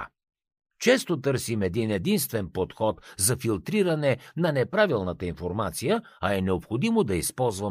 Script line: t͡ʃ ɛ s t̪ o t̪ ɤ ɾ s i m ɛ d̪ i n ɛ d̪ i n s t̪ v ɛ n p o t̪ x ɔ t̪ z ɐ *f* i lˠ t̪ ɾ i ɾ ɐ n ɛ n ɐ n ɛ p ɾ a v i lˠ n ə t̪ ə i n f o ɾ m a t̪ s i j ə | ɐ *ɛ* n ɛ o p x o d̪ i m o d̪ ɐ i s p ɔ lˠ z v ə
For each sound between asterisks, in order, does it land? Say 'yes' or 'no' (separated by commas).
yes, yes